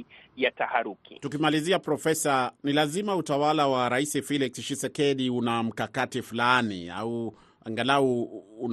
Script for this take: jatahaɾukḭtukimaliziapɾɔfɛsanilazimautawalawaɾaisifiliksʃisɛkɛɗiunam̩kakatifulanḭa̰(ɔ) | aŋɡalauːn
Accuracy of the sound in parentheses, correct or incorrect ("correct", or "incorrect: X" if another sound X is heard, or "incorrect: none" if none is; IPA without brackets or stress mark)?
incorrect: u